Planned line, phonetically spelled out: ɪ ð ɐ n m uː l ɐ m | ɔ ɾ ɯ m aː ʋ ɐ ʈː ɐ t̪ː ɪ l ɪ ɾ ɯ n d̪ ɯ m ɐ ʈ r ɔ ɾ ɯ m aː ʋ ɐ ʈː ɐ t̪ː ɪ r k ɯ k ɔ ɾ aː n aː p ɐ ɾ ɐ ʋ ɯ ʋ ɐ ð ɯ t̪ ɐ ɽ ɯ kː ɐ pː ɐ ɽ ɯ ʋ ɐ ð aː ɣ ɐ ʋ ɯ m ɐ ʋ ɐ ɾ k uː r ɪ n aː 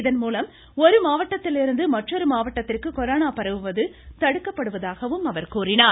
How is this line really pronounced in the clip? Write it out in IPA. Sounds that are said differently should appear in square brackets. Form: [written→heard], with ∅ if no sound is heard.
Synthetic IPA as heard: ɪ ð ɐ n m uː l ɐ m | ɔ ɾ ɯ m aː ʋ ɐ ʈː ɐ t̪ː ɪ l ɪ ɾ ɯ n d̪ ɯ m ɐ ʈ r ɔ ɾ ɯ m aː ʋ ɐ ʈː ɐ t̪ː ɪ r k ɯ k ɔ ɾ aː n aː p ɐ ɾ ɐ ʋ ɯ ʋ ɐ ð ɯ t̪ ɐ ɽ ɯ kː ɐ pː ɐ ɽ ɯ ʋ ɐ ð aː ɣ ɐ ʋ ɯ m ɐ ʋ ɐ ɾ k uː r ɪ n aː